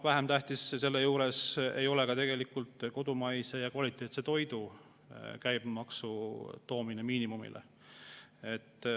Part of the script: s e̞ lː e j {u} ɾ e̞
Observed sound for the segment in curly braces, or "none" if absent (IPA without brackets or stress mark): uː